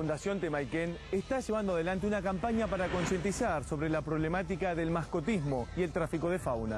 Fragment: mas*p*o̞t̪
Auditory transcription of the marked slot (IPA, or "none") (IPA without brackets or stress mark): k